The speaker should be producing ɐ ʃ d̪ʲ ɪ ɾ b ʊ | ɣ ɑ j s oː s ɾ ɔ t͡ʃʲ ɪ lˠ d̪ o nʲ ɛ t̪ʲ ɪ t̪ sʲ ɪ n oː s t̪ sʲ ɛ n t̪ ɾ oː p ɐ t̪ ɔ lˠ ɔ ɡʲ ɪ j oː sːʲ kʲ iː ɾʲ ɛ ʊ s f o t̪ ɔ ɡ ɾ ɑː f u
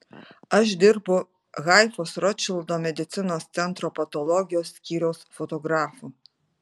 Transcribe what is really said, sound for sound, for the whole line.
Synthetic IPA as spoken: ɐ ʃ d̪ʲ ɪ ɾ b ʊ | ɣ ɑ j f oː s ɾ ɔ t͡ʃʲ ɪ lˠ d̪ o mʲ ɛ d̪ʲ ɪ t̪ sʲ ɪ n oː s t̪ sʲ ɛ n t̪ ɾ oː p ɐ t̪ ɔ lˠ ɔ ɡʲ ɪ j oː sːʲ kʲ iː ɾʲ ɛ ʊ s f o t̪ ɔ ɡ ɾ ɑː f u